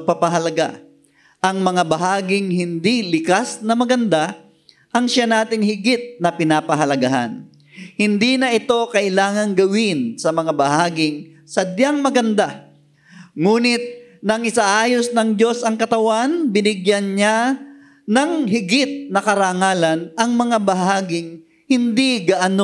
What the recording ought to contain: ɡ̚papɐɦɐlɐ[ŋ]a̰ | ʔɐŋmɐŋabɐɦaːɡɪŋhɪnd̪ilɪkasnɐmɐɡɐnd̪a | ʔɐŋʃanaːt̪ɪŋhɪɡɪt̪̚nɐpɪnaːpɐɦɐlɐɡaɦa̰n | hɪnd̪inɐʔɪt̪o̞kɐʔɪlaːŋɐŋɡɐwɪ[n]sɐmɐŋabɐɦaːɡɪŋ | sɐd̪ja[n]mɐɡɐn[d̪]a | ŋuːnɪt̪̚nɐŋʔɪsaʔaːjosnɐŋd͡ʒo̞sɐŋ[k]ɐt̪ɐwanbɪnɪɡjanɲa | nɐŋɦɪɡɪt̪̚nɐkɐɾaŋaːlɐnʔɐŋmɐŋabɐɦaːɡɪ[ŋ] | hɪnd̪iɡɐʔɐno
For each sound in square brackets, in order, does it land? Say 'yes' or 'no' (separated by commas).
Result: no, yes, no, yes, yes, yes